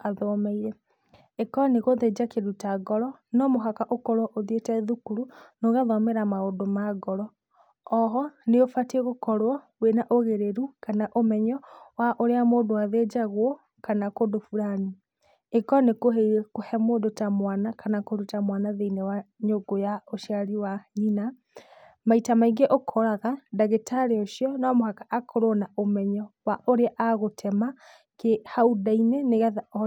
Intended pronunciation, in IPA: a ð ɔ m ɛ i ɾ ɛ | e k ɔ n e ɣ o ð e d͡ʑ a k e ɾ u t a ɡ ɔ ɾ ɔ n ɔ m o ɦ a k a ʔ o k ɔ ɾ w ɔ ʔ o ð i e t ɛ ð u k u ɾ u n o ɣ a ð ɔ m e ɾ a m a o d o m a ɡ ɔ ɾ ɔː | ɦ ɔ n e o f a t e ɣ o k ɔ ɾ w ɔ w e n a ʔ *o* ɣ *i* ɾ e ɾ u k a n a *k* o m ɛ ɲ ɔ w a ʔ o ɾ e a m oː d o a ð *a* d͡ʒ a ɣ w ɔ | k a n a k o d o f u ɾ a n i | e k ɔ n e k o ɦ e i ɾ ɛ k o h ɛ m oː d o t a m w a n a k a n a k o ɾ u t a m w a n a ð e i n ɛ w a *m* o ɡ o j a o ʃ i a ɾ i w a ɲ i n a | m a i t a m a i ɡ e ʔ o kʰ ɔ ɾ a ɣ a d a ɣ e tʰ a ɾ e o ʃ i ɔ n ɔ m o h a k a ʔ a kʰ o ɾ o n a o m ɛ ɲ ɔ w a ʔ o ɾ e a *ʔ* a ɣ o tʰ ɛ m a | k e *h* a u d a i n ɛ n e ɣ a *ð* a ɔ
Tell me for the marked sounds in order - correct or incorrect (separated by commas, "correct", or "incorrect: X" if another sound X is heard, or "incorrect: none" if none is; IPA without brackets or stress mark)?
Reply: correct, incorrect: e, incorrect: ʔ, incorrect: e, incorrect: ɲ, correct, correct, correct